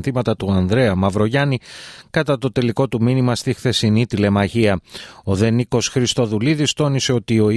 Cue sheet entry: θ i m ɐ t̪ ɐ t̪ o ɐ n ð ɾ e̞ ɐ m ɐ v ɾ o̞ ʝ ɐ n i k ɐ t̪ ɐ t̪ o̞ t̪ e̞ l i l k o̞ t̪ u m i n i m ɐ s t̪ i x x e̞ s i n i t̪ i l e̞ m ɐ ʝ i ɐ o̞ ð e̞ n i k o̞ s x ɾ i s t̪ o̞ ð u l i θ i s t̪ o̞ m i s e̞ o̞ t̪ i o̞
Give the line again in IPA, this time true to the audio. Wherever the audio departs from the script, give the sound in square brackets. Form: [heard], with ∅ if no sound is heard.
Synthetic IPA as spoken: θ i m ɐ t̪ ɐ t̪ [u] ɐ n ð ɾ e̞ ɐ m ɐ v ɾ o̞ ʝ ɐ n i k ɐ t̪ ɐ t̪ o̞ t̪ e̞ l i [∅] k o̞ t̪ u m i n i m ɐ s t̪ i x [θ] e̞ s i n i t̪ i l e̞ m ɐ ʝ i ɐ o̞ ð e̞ n i k o̞ s x ɾ i s t̪ o̞ ð u l i [ð] i s t̪ o̞ [n] i s e̞ o̞ t̪ i o̞